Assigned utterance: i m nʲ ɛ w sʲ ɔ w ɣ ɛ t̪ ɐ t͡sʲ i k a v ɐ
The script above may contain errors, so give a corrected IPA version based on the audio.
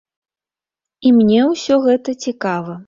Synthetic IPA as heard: i m nʲ ɛ w sʲ ɔ ɣ ɛ t̪ ɐ t͡sʲ i k a v ɐ